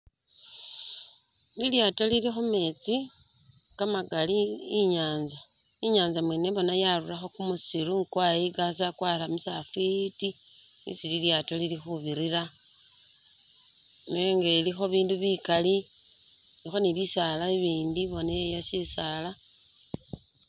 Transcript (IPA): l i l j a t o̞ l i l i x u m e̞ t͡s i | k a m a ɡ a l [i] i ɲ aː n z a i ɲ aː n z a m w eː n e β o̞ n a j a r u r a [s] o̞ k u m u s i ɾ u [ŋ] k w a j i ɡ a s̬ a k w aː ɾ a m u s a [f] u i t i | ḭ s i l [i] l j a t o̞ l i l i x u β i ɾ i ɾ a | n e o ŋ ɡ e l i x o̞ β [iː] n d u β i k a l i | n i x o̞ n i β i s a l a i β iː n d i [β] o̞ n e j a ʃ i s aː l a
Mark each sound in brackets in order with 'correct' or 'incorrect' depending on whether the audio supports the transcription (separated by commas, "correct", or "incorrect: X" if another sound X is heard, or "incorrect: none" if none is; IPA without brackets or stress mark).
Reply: correct, incorrect: x, correct, correct, correct, correct, correct